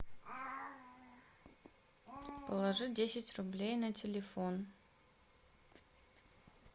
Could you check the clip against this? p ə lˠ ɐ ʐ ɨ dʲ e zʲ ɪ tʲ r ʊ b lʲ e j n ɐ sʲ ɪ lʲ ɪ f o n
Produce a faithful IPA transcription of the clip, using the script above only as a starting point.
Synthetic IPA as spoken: p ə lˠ ɐ ʐ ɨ dʲ e sʲ ɪ tʲ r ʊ b lʲ e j n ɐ tʲ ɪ lʲ ɪ f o n